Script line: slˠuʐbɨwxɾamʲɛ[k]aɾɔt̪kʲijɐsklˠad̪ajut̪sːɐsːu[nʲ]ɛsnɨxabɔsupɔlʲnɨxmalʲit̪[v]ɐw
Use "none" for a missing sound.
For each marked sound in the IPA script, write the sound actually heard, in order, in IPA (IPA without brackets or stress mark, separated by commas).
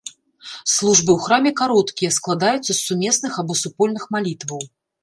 k, mʲ, v